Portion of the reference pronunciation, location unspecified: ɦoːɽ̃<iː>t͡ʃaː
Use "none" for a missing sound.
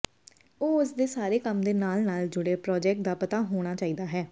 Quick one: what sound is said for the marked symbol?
aː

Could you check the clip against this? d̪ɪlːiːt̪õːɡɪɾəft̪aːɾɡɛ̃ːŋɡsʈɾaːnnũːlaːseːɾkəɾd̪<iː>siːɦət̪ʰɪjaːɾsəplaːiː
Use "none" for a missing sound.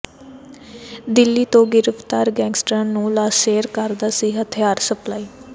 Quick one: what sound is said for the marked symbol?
aː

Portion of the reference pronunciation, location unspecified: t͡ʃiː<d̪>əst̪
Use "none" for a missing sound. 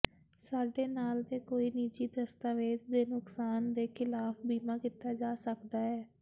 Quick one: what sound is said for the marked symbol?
d̪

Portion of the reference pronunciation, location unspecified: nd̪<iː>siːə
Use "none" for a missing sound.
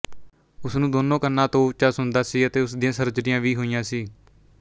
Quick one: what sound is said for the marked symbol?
aː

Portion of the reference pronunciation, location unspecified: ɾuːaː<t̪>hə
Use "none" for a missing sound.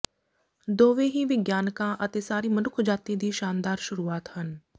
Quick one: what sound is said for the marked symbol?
t̪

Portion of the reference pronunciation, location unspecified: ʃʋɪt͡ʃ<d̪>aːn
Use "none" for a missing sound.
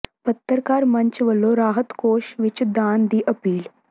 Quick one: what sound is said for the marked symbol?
d̪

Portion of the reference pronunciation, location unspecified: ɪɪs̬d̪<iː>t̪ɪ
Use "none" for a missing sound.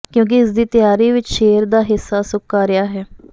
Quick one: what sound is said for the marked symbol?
iː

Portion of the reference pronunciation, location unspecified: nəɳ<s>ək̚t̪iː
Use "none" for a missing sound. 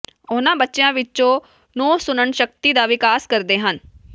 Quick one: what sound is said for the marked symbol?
ʃ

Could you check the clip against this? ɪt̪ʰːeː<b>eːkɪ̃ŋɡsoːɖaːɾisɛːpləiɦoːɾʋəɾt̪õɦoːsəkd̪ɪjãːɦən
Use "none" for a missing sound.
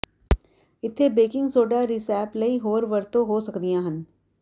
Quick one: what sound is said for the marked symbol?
b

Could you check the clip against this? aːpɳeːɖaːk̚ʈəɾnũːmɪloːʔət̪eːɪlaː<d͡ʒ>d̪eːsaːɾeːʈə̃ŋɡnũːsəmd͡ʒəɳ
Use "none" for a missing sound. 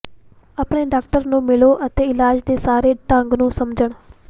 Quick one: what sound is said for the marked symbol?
d͡ʒ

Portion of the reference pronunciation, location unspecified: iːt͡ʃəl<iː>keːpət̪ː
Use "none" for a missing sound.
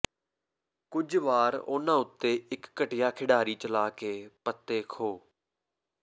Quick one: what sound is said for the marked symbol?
aː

